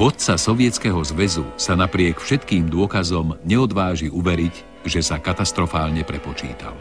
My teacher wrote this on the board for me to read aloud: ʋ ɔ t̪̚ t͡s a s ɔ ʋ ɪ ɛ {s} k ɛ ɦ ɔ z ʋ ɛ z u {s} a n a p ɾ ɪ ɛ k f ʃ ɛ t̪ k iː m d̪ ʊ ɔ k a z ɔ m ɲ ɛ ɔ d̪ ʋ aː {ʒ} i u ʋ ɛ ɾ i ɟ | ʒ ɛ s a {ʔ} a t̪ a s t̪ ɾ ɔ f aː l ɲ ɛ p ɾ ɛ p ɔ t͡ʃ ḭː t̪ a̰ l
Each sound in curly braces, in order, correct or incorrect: incorrect, correct, correct, incorrect

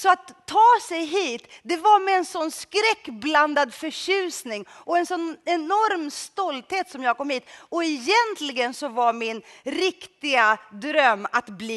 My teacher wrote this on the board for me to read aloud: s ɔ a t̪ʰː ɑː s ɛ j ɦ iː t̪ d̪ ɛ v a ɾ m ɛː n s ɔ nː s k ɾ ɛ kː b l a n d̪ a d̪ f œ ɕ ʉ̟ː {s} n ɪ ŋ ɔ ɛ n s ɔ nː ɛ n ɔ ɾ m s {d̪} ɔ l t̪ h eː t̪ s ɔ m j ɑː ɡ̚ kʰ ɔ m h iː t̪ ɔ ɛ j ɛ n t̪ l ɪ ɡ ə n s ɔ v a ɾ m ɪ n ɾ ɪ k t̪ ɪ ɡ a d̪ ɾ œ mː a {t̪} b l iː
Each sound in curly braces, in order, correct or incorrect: correct, incorrect, correct

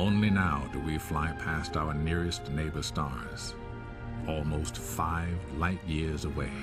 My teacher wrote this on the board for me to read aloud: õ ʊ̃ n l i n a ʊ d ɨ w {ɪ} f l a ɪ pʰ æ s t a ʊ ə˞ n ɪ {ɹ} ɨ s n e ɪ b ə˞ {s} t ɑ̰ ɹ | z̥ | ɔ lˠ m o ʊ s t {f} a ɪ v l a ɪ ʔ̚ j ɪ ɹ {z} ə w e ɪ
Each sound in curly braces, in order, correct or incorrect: incorrect, correct, correct, correct, correct

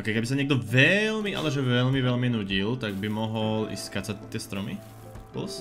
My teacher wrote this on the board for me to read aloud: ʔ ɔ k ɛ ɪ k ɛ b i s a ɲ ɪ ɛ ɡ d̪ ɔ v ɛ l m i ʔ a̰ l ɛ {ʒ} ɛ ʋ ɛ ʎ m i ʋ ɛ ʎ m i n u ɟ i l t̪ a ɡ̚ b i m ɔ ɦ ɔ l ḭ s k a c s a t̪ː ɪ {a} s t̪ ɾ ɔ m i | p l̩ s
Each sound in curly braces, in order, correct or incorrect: correct, incorrect

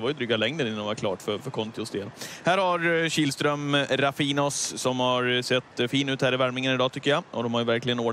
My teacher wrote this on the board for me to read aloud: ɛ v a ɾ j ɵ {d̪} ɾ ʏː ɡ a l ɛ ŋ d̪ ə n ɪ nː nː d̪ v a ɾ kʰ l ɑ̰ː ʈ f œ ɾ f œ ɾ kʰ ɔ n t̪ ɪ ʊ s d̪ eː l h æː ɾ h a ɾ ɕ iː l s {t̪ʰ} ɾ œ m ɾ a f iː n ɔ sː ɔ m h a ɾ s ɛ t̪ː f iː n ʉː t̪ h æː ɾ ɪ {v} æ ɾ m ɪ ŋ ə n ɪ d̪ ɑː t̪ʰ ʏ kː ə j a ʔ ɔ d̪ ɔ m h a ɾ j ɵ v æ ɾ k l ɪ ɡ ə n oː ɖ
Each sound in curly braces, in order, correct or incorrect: correct, incorrect, correct

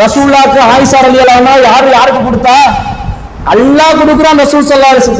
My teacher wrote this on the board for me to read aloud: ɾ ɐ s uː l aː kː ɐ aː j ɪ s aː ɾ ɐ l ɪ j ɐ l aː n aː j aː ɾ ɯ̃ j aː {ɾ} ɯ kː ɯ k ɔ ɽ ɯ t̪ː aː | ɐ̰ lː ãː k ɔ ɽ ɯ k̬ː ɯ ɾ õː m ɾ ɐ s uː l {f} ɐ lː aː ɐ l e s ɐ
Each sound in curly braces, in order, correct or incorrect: correct, incorrect

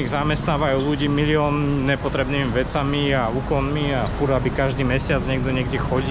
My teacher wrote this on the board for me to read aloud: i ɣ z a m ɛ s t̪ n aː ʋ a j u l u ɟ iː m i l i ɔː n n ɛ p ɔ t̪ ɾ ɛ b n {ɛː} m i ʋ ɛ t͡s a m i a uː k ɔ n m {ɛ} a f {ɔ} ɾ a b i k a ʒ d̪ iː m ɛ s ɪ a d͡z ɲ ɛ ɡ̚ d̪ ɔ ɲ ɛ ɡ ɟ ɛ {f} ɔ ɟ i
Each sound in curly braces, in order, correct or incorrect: incorrect, incorrect, incorrect, incorrect

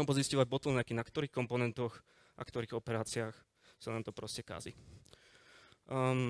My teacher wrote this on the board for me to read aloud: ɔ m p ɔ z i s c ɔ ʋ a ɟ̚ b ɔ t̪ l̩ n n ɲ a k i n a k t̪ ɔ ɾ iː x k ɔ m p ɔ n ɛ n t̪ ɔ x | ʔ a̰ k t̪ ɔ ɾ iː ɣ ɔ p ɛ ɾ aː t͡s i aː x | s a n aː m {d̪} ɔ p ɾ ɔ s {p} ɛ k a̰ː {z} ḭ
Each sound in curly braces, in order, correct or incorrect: incorrect, incorrect, correct

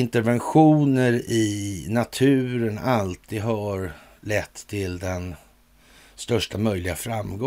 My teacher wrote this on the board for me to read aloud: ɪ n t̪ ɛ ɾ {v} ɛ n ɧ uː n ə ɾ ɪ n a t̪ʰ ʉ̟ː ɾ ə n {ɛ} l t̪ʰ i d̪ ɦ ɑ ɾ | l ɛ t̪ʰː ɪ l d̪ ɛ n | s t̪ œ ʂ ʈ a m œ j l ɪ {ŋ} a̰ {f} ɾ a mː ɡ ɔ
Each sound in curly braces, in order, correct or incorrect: correct, incorrect, incorrect, correct

